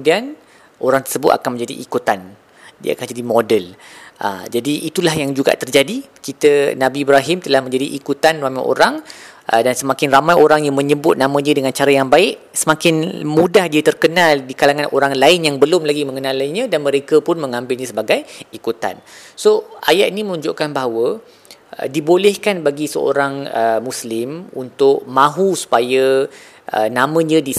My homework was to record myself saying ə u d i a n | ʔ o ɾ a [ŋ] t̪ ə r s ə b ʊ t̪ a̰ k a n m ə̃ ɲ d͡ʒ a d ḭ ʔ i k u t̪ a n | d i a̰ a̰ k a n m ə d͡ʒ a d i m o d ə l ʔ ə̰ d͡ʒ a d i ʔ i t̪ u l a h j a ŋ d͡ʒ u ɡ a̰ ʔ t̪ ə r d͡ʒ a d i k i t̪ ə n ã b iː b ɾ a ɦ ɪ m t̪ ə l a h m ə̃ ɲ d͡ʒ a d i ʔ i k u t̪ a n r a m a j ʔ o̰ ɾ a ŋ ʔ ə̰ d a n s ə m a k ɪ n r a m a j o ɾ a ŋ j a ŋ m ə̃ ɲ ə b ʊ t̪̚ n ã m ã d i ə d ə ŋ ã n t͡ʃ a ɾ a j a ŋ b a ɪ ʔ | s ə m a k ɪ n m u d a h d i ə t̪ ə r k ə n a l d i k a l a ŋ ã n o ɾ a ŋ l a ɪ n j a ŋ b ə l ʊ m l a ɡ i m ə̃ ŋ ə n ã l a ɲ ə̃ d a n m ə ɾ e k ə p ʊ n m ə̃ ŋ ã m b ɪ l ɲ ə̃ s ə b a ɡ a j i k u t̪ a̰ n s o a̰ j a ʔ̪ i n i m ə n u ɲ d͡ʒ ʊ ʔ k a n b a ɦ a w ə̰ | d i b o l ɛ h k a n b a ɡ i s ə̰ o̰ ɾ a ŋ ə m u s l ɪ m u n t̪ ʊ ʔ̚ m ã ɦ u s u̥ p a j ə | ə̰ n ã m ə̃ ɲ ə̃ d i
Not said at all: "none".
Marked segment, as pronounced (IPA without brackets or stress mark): ŋ